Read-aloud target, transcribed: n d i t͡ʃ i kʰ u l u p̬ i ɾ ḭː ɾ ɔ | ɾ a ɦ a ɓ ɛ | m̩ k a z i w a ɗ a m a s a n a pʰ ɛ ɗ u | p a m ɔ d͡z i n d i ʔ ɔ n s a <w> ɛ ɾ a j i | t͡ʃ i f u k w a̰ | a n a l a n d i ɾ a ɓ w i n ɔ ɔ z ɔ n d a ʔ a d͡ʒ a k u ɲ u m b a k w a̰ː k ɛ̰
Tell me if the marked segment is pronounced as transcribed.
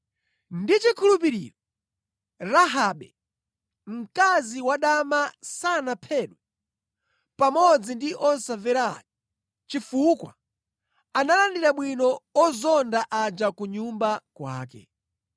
no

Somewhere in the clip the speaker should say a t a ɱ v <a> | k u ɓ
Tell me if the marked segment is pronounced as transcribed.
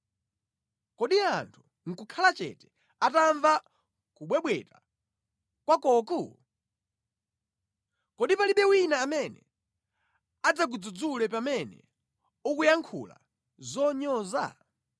yes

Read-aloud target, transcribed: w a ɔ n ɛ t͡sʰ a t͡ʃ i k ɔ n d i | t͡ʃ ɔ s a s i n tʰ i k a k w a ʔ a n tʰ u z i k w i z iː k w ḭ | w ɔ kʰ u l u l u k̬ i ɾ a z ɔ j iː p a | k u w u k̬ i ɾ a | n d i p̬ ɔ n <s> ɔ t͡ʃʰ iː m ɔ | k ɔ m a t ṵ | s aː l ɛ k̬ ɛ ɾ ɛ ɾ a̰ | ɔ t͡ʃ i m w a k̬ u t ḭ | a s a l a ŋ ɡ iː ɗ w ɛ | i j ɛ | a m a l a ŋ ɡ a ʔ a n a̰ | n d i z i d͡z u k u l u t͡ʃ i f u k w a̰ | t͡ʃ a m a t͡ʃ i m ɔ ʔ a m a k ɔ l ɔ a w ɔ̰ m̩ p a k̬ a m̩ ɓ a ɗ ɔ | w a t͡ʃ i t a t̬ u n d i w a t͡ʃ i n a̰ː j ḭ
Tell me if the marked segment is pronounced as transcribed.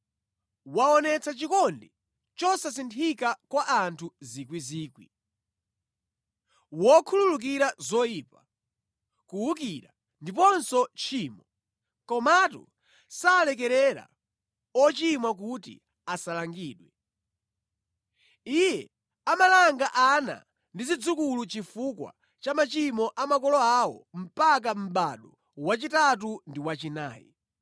yes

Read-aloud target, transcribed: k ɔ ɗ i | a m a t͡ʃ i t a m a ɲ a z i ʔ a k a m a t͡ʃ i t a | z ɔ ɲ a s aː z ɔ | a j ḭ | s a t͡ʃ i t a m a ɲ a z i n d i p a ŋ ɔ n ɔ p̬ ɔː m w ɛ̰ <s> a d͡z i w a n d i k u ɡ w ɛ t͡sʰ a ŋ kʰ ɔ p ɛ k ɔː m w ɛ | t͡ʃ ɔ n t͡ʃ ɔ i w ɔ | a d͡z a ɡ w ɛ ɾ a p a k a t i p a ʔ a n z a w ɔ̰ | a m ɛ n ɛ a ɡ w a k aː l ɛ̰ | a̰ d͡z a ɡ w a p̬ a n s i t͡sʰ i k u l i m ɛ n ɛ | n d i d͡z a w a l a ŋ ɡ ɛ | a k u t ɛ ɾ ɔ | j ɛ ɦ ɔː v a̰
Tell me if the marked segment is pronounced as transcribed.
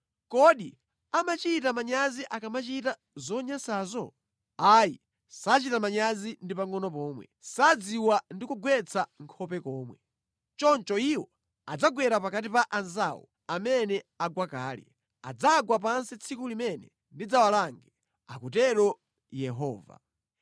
yes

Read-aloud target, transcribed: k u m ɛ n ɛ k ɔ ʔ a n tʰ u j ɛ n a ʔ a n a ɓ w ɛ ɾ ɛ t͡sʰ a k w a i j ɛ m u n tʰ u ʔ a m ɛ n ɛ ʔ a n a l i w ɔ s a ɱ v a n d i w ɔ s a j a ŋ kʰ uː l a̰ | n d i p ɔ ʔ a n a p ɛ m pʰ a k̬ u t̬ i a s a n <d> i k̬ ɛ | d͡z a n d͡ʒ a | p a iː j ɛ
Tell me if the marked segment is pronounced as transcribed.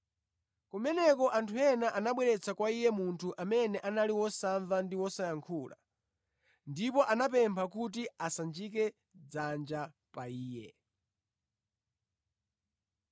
no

